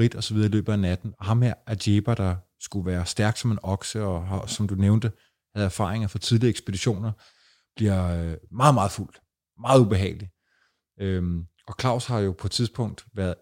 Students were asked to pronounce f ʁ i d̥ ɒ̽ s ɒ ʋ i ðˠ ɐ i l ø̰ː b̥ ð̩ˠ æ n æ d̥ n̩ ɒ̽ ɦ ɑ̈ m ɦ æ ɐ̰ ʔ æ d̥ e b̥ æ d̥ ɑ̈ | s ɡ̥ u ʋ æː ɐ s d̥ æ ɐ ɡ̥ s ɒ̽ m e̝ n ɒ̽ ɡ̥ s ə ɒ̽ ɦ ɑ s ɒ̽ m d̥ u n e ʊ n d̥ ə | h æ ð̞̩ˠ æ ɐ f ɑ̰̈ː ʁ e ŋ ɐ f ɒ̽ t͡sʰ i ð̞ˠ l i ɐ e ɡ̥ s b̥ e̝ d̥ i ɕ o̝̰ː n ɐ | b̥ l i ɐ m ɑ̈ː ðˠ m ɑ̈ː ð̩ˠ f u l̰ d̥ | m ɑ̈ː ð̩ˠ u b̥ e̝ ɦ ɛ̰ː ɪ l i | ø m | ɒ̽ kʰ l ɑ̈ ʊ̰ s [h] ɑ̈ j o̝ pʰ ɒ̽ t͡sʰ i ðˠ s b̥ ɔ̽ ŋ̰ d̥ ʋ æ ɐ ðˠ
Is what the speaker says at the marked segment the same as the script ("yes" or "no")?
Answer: yes